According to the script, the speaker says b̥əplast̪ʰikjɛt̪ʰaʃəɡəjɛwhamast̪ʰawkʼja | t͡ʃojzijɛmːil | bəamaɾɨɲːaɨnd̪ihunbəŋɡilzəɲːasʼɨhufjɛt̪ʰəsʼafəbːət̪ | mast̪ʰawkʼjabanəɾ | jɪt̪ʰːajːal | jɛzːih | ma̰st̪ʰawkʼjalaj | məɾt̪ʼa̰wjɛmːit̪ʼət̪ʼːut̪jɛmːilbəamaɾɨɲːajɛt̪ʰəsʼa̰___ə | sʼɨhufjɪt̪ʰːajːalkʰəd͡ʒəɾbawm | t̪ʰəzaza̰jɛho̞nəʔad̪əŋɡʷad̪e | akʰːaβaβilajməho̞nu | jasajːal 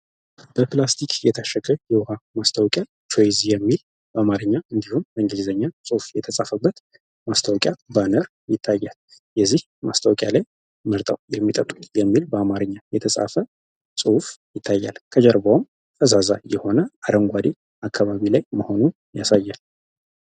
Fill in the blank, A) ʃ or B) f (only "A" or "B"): B